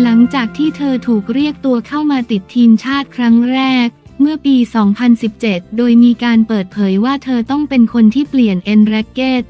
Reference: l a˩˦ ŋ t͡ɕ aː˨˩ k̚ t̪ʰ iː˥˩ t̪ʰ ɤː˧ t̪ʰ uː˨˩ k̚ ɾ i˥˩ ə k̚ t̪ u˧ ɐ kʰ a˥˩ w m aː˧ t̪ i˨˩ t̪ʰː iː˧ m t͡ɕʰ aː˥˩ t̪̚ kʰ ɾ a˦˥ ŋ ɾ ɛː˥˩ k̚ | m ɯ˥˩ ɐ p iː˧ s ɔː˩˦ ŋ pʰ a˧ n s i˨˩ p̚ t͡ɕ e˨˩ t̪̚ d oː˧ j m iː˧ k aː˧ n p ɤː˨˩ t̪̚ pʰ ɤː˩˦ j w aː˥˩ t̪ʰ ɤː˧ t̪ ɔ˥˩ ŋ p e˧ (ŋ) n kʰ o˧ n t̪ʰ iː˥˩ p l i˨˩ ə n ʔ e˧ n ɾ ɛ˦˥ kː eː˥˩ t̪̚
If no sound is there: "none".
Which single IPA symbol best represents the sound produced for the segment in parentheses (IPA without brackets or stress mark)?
none